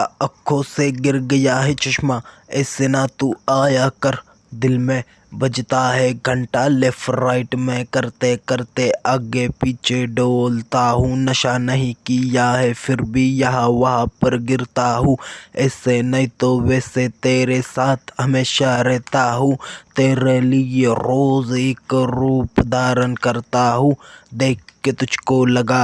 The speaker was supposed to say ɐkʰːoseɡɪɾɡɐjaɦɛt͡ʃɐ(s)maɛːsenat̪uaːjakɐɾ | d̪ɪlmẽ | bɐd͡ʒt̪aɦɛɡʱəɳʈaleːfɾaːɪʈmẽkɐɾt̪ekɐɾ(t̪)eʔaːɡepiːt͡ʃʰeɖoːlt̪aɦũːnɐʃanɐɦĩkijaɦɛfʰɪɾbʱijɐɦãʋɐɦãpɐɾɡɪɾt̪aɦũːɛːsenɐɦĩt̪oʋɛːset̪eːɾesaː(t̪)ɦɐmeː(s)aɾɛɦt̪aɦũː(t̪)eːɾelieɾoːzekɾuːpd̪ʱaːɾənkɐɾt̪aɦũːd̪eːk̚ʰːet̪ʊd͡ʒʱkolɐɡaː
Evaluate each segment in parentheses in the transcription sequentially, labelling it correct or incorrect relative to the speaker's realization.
incorrect: ʃ, correct, incorrect: t̪ʰ, incorrect: ʃ, correct

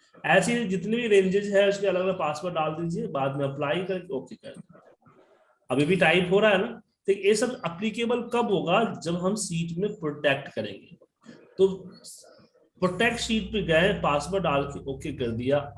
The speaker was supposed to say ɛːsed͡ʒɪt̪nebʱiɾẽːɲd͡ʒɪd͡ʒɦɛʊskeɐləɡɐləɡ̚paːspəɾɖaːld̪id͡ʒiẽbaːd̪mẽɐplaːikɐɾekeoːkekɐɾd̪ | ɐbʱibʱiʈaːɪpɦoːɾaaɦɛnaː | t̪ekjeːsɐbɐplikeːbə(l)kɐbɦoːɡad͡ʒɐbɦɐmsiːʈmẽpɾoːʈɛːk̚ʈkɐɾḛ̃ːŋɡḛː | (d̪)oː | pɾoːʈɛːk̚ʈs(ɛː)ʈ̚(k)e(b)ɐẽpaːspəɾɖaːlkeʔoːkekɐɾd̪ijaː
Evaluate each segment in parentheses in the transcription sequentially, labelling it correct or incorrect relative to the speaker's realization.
correct, incorrect: t̪, incorrect: iː, incorrect: p, incorrect: ɡ

